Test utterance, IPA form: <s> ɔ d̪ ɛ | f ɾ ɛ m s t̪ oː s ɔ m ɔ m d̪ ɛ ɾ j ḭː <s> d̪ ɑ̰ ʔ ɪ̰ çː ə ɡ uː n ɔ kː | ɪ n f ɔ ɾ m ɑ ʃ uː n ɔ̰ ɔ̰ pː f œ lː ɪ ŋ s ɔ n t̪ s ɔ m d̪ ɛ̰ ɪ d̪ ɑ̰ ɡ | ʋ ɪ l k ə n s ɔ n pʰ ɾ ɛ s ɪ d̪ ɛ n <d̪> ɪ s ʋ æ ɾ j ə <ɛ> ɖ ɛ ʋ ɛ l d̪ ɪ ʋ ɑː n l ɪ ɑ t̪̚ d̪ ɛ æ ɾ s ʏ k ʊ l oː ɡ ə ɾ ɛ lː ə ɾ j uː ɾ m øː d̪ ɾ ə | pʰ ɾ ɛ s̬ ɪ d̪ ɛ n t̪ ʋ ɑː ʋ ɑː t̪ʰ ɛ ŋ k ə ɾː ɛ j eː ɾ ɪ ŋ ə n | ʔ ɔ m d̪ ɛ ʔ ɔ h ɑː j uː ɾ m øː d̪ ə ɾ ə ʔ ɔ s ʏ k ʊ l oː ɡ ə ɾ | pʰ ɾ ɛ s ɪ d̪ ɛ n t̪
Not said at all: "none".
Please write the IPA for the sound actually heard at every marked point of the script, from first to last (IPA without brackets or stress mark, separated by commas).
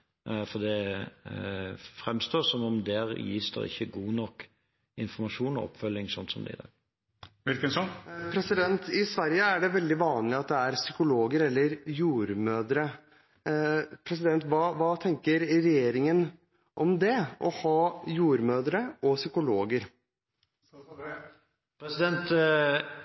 f, s, t̪, æ